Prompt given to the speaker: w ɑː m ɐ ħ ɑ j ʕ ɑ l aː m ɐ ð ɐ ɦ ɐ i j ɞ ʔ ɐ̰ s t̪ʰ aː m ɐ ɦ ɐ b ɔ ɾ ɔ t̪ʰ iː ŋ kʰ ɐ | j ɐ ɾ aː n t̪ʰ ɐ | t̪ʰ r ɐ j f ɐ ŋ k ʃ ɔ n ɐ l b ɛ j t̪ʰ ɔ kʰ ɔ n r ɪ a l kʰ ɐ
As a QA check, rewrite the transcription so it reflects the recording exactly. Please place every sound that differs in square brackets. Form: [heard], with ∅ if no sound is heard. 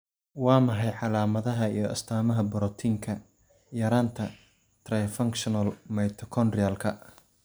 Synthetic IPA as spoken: w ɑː m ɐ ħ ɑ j ʕ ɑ l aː m ɐ ð ɐ ɦ ɐ i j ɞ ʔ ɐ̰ s t̪ʰ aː m ɐ ɦ ɐ b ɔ ɾ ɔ t̪ʰ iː ŋ kʰ ɐ | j ɐ ɾ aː n t̪ʰ ɐ | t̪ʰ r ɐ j f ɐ ŋ k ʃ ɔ n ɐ l [m] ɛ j t̪ʰ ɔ kʰ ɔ n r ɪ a l kʰ ɐ